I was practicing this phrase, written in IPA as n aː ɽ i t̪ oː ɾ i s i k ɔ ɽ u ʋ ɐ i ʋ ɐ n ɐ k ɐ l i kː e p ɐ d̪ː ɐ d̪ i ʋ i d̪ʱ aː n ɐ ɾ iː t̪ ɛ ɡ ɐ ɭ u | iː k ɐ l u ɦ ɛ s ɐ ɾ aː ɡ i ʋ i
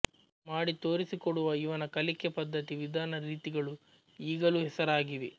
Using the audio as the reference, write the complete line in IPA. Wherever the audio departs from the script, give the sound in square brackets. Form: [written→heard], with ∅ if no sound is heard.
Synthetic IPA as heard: [n→m] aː ɽ i t̪ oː ɾ i s i k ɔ ɽ u ʋ ɐ i ʋ ɐ n ɐ k ɐ l i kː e p ɐ d̪ː ɐ [d̪→t̪] i ʋ i d̪ʱ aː n ɐ ɾ iː t̪ [ɛ→i] ɡ ɐ ɭ u | iː [k→ɡ] ɐ l u ɦ ɛ s ɐ ɾ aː ɡ i ʋ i

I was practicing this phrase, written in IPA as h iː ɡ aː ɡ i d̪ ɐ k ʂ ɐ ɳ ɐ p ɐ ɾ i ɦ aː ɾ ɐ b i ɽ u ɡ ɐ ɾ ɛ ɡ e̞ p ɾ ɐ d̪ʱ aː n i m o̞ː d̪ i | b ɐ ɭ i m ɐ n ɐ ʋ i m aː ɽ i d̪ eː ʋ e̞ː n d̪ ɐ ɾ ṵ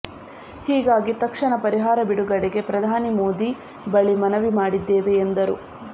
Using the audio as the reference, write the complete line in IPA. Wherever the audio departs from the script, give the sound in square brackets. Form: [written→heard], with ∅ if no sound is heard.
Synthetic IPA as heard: h iː ɡ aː ɡ i [d̪→t̪] ɐ k ʂ ɐ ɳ ɐ p ɐ ɾ i ɦ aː ɾ ɐ b i ɽ u ɡ ɐ [ɾ→ɽ] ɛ ɡ e̞ p ɾ ɐ d̪ʱ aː n i m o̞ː d̪ i | b ɐ ɭ i m ɐ n ɐ ʋ i m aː ɽ i [d̪→d̪ː] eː ʋ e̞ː n d̪ ɐ ɾ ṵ

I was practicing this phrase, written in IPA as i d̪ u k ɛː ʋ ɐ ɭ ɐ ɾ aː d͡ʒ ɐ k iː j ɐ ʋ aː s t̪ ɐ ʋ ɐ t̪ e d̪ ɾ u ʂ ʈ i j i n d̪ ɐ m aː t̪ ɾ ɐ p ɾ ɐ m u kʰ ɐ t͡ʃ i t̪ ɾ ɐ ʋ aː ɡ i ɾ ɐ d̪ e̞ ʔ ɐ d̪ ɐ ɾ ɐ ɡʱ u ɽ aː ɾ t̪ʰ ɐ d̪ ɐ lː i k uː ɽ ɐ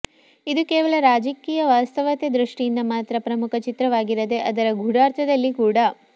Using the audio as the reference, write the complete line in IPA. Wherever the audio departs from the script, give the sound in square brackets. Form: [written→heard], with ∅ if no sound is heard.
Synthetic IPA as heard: i d̪ u k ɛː ʋ ɐ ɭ ɐ ɾ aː d͡ʒ ɐ k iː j ɐ ʋ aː s t̪ ɐ ʋ ɐ t̪ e d̪ ɾ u ʂ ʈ i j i n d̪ ɐ m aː t̪ ɾ ɐ p ɾ ɐ m u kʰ ɐ t͡ʃ i t̪ ɾ ɐ ʋ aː ɡ i ɾ ɐ d̪ e̞ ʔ ɐ d̪ ɐ ɾ ɐ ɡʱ u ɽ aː ɾ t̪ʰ ɐ d̪ ɐ lː i k uː ɽ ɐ

